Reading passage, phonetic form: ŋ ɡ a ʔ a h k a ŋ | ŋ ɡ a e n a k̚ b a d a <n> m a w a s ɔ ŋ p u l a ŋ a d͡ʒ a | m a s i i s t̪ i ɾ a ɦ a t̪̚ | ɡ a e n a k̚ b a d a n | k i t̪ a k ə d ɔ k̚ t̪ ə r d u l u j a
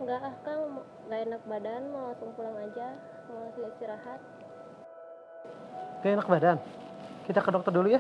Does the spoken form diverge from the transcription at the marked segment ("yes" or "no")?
no